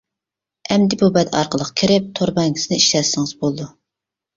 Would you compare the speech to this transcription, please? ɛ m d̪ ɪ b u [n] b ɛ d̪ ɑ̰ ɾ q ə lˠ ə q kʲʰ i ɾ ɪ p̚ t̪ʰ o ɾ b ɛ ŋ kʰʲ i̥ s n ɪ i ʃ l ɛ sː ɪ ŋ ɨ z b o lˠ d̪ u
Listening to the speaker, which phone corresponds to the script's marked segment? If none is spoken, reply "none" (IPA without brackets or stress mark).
none